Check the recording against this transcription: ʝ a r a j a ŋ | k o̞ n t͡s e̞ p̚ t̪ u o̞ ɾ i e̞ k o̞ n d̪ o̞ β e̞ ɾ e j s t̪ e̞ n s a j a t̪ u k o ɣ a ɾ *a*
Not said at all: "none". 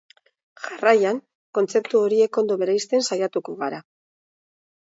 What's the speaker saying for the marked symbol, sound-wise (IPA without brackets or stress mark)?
a